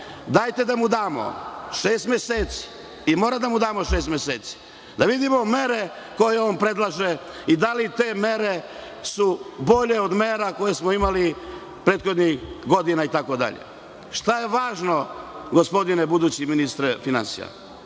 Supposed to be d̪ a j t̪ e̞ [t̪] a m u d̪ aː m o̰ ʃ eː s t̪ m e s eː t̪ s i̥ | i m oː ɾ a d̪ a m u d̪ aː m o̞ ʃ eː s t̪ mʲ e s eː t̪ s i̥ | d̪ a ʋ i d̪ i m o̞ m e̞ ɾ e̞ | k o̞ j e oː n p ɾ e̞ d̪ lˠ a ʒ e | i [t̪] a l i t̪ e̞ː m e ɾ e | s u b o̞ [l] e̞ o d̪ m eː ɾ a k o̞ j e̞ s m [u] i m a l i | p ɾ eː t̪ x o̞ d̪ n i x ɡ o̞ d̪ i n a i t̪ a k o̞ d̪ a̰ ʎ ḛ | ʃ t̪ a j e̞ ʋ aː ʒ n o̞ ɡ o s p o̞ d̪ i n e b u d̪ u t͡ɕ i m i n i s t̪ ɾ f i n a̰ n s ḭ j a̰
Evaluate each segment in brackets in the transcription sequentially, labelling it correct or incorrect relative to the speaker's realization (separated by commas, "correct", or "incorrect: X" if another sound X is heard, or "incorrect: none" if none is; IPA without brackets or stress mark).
incorrect: d̪, incorrect: d̪, incorrect: ʎ, incorrect: o